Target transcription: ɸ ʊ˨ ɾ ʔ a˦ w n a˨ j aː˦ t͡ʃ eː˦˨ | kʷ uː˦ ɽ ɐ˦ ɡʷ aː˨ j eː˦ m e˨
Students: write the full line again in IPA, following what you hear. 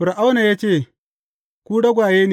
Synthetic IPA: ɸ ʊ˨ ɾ ʔ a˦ w n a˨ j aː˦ t͡ʃ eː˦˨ | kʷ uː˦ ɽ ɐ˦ ɡʷ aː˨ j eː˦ n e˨